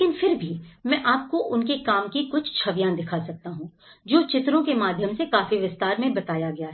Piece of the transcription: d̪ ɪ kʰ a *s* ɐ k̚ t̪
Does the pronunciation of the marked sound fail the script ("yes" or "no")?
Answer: no